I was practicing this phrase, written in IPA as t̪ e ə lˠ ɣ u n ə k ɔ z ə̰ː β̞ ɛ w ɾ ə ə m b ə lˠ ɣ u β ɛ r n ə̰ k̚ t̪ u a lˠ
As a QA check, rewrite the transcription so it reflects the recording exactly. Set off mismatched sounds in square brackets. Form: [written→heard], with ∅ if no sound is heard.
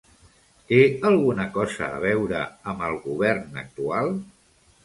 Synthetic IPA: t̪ e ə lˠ ɣ u n ə k ɔ z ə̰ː β̞ ɛ w ɾ ə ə m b ə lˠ ɣ u β ɛ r n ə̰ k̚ t̪ u a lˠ